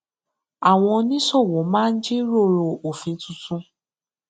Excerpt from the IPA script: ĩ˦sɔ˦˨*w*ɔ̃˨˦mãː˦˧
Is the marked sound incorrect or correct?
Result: correct